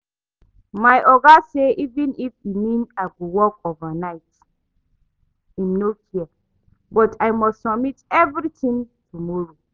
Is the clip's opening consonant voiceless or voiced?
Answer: voiced